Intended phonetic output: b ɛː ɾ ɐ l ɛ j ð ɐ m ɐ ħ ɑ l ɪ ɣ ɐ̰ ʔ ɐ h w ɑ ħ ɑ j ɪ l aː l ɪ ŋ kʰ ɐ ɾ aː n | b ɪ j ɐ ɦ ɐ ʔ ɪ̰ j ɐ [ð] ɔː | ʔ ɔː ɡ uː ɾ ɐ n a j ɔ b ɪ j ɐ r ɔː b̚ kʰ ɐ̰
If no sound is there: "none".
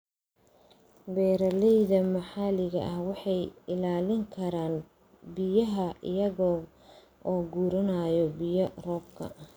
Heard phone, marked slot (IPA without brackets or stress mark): ɣ